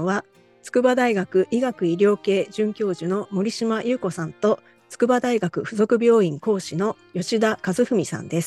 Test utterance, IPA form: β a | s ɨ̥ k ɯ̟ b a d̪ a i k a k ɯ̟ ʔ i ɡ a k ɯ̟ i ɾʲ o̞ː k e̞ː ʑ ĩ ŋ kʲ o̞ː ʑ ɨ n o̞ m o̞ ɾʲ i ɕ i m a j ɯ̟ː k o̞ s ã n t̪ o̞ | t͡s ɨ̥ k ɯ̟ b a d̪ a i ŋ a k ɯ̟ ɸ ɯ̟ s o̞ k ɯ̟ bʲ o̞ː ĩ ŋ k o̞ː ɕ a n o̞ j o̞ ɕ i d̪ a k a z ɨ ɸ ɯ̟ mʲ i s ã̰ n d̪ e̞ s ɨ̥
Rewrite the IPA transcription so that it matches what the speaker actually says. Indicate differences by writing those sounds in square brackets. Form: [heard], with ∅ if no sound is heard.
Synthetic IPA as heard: β a | [t͡s] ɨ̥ k ɯ̟ b a d̪ a i [ɡ] a k ɯ̟ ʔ i ɡ a k ɯ̟ i ɾʲ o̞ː k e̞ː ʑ [ɨ̃] ŋ kʲ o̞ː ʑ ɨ n o̞ m o̞ ɾʲ i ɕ i m a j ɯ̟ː k o̞ s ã n t̪ o̞ | t͡s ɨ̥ k ɯ̟ b a d̪ a i [ɡ] a k ɯ̟ ɸ ɯ̟ [z] o̞ k ɯ̟ bʲ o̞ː ĩ ŋ k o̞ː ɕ [i] n o̞ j o̞ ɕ i d̪ a k a z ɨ ɸ ɯ̟ mʲ i s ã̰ n d̪ e̞ s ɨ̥